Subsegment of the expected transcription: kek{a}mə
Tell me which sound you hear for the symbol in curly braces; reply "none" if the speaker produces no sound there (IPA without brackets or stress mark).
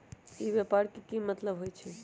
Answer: i